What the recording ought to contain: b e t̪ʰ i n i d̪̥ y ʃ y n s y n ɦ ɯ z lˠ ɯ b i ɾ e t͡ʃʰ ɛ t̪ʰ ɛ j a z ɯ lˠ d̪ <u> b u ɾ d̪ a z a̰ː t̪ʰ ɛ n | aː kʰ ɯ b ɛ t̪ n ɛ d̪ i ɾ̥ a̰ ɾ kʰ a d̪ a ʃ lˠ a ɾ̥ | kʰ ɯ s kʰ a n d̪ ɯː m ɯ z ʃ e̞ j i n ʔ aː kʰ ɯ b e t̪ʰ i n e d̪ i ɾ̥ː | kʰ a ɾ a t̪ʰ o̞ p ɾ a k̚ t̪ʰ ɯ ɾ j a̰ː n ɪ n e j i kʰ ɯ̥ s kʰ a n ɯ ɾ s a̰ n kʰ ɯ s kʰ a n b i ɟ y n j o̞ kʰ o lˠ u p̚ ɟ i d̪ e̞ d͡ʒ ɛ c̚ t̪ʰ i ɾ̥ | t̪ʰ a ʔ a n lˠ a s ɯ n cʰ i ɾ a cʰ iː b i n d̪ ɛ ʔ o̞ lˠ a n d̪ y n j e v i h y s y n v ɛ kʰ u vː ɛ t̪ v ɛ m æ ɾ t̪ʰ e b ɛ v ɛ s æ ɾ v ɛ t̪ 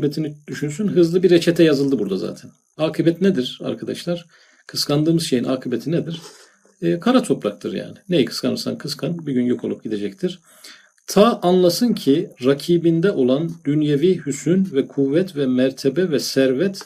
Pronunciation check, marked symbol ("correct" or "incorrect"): incorrect